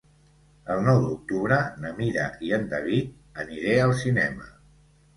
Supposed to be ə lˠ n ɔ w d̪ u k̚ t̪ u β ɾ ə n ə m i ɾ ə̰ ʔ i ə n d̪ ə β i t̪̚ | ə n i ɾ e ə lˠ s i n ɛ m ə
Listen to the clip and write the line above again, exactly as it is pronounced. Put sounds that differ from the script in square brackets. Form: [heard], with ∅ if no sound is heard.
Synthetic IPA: ə lˠ n ɔ w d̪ u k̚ t̪ u β ɾ ə n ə m i ɾ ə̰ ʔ i ə n d̪ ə β i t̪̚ | ə n i ɾ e ə lˠ s i n ɛ m ə